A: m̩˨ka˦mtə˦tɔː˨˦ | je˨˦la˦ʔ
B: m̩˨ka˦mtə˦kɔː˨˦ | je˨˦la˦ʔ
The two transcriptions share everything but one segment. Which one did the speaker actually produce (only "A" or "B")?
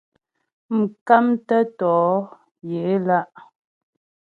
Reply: A